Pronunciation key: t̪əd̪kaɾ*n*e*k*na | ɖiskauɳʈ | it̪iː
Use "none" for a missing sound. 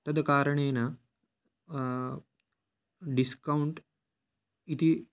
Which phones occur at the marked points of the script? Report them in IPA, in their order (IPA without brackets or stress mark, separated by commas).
ɳ, none